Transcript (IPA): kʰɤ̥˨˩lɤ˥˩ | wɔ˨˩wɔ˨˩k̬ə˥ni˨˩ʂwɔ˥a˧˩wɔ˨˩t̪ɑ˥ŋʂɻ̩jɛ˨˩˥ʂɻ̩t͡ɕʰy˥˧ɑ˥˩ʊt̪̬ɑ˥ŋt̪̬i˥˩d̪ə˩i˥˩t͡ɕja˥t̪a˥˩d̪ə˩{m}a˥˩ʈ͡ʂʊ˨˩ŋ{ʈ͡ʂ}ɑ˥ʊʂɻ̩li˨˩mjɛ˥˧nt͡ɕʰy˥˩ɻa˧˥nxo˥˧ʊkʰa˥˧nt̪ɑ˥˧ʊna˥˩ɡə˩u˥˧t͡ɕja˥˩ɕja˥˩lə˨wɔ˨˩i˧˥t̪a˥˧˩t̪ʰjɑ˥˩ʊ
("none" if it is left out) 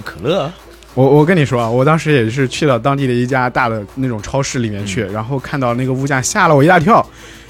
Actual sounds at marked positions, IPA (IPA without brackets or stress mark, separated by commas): n, ʈ͡ʂʰ